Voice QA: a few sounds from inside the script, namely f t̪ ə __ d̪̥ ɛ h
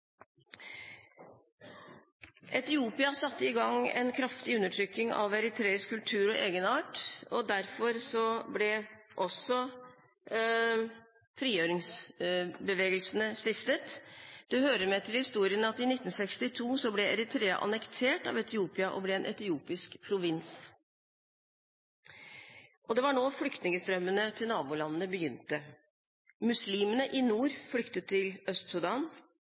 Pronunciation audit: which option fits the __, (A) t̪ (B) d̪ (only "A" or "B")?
A